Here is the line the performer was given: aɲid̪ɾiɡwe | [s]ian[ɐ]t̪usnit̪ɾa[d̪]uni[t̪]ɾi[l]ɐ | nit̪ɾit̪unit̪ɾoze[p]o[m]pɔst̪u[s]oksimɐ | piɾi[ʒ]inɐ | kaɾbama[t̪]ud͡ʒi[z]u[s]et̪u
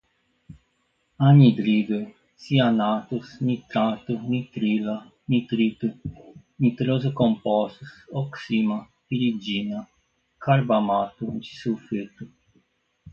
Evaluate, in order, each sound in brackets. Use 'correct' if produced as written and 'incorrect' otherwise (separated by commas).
correct, incorrect, incorrect, correct, correct, incorrect, correct, correct, incorrect, correct, incorrect, incorrect